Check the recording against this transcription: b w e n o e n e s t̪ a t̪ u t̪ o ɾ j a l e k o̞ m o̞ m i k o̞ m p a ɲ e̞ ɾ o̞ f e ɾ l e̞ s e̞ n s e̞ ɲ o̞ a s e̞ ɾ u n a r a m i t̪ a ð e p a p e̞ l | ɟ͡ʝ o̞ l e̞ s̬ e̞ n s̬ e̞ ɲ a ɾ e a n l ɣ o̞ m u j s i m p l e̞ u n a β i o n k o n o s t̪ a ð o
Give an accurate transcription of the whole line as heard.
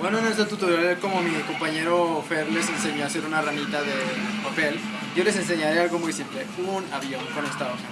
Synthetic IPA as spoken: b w e n o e n e s t̪ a t̪ u t̪ o ɾ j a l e k o̞ m o̞ m i k o̞ m p a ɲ e̞ ɾ o̞ f e ɾ l e̞ s e̞ n s e̞ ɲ o̞ a s e̞ ɾ u n a r a m i t̪ a ð e p a p e̞ l | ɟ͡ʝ o̞ l e̞ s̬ e̞ n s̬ e̞ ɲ a ɾ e a l ɣ o̞ m u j s i m p l e̞ u n a β j o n k o n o s t̪ a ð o